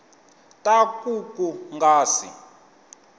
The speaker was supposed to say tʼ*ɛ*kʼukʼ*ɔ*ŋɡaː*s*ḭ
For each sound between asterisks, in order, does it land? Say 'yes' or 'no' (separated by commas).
no, no, yes